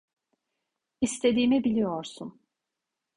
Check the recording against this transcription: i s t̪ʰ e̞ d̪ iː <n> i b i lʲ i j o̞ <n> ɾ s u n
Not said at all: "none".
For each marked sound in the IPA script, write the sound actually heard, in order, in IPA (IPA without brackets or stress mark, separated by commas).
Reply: m, none